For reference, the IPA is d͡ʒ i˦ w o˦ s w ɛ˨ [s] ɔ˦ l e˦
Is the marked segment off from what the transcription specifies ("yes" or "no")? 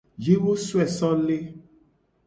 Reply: no